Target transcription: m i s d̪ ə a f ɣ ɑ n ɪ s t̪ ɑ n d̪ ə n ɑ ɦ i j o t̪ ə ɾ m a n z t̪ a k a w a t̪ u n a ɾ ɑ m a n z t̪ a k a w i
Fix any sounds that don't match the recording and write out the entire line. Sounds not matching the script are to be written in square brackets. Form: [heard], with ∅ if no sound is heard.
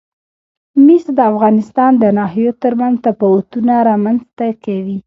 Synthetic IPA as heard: m i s d̪ ə a f ɣ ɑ n ɪ s t̪ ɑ n d̪ ə n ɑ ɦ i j o t̪ ə ɾ m a n z t̪ a [p] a w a t̪ u n a ɾ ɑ m a n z t̪ a k a w i